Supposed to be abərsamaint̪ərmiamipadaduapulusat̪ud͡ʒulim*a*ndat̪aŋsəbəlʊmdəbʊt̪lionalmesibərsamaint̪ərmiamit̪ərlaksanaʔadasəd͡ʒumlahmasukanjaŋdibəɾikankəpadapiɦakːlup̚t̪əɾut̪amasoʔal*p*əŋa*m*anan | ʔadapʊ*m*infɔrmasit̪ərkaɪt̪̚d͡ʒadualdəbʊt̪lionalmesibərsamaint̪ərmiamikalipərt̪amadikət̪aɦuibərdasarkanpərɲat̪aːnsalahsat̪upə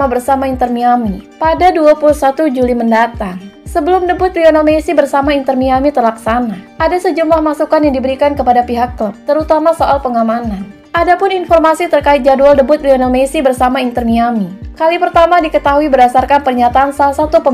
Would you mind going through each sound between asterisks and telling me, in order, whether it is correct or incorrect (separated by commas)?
incorrect, correct, correct, incorrect